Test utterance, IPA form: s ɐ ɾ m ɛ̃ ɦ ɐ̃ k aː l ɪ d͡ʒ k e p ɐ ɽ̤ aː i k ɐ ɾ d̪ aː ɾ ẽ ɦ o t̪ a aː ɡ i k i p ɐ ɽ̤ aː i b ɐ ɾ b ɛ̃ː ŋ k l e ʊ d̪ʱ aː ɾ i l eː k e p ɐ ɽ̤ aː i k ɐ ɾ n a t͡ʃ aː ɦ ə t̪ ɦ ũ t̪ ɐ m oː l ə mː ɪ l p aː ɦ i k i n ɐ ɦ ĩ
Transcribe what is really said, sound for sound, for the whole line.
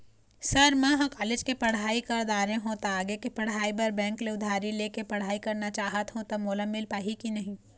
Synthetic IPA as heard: s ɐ ɾ m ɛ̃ ɦ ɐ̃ k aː l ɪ d͡ʒ k e p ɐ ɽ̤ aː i k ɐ ɾ d̪ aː ɾ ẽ ɦ o t̪ a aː ɡ e k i p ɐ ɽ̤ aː i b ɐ ɾ b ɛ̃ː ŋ k l e ʊ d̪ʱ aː ɾ i l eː k e p ɐ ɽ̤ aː i k ɐ ɾ n a t͡ʃ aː ɦ ə t̪ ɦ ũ t̪ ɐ m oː l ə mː ɪ l p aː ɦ i k i n ɐ ɦ ĩ